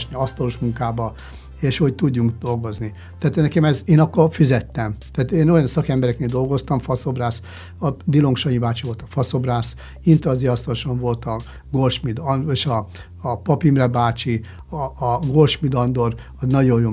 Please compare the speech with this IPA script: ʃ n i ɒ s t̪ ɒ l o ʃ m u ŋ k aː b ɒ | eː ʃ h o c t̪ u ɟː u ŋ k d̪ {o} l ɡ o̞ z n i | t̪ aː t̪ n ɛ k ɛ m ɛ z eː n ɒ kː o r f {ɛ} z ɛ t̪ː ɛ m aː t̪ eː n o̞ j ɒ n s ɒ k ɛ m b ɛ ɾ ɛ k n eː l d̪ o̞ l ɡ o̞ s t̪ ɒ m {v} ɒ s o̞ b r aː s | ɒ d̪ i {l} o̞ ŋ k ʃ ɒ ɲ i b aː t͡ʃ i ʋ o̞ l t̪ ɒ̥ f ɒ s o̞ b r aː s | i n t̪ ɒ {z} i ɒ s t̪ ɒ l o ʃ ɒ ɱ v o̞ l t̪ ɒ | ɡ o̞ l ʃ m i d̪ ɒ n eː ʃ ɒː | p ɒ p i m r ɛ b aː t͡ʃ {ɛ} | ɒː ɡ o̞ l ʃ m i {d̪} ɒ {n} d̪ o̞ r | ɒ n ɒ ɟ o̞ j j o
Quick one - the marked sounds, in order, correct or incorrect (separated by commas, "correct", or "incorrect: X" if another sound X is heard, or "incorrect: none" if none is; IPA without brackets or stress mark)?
correct, incorrect: i, incorrect: f, correct, correct, incorrect: i, correct, correct